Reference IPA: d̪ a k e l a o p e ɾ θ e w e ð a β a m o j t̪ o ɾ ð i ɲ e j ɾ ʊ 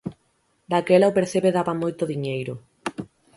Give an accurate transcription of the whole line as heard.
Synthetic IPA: d̪ a k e l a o p e ɾ θ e β e ð a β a m o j t̪ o ð i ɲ e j ɾ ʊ